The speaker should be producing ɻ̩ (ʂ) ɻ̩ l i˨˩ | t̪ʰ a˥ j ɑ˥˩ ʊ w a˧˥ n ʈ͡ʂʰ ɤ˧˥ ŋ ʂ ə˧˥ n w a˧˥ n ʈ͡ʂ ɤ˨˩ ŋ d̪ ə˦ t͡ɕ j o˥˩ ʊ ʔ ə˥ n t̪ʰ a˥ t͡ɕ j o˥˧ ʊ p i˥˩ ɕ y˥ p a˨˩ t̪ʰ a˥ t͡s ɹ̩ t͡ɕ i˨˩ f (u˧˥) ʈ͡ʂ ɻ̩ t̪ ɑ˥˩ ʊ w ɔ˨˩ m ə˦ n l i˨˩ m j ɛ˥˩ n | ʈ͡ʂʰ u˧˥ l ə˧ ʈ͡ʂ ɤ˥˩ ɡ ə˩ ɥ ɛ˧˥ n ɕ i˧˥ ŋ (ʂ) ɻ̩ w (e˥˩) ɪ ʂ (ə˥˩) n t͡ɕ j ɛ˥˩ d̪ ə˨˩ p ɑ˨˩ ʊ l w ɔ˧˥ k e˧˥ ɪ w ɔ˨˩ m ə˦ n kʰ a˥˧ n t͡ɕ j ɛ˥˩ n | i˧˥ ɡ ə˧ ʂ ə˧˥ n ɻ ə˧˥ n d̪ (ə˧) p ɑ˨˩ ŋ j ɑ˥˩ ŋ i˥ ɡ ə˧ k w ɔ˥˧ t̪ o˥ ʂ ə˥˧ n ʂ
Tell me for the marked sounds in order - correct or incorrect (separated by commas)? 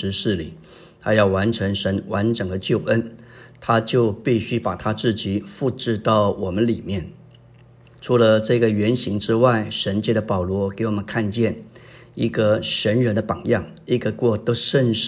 correct, incorrect, incorrect, incorrect, incorrect, correct